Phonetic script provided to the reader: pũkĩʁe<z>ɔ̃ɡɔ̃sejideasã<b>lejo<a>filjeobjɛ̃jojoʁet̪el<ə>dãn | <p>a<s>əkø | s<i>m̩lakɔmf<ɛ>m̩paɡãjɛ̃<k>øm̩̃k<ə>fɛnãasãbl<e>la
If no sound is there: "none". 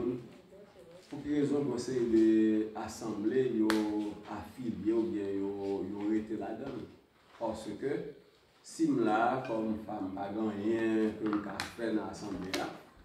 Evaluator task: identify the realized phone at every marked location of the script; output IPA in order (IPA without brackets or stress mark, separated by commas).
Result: z, b, a, a, p, s, i, a, k, a, e